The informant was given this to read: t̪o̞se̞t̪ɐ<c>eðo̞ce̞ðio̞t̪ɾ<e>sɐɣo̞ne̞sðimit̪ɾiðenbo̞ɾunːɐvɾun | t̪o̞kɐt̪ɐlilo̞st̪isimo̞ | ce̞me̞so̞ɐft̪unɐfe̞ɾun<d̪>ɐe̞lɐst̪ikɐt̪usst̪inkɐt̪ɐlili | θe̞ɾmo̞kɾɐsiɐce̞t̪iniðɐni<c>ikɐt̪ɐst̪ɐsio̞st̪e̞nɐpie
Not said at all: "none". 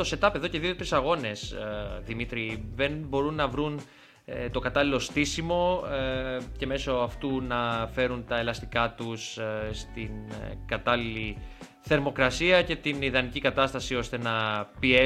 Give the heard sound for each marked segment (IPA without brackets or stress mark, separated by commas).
p, i, t̪, c